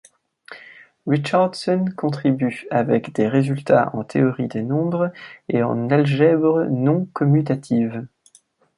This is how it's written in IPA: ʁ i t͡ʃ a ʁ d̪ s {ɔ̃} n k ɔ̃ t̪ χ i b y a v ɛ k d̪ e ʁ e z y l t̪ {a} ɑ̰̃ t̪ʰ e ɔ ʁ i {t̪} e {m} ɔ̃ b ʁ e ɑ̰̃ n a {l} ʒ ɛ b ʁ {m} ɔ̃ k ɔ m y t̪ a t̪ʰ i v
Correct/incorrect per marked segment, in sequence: incorrect: ɔ, correct, incorrect: d̪, incorrect: n, correct, incorrect: n

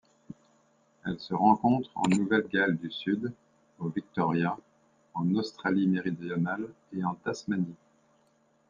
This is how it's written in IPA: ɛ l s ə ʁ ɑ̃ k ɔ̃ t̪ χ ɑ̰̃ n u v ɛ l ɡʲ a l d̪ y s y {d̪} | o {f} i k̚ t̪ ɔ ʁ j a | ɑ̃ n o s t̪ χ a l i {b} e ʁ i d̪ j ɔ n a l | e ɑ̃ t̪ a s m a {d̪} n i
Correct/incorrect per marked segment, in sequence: correct, incorrect: v, incorrect: m, incorrect: none

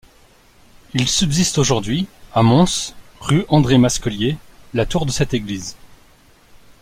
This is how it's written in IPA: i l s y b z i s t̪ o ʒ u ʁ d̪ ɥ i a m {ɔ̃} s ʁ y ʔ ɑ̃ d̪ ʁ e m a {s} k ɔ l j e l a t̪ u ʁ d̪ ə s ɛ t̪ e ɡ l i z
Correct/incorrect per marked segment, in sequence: correct, correct

